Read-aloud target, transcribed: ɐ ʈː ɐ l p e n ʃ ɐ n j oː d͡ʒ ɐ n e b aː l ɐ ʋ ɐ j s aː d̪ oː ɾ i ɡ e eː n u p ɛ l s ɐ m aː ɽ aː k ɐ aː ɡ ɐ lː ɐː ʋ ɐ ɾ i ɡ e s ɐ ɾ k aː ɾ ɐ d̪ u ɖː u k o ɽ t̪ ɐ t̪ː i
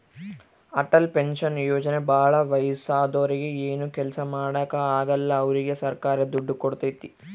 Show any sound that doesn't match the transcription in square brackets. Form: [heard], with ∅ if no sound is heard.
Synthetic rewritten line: ɐ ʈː ɐ l p e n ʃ ɐ n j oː d͡ʒ ɐ n e b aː [ɭ] ɐ ʋ ɐ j s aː d̪ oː ɾ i ɡ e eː n u [k] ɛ l s ɐ m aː ɽ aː k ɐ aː ɡ ɐ lː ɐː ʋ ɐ ɾ i ɡ e s ɐ ɾ k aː ɾ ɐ d̪ u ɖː u k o ɽ t̪ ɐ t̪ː i